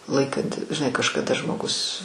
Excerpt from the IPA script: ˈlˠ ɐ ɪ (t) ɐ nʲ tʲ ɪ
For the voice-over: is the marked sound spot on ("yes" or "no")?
no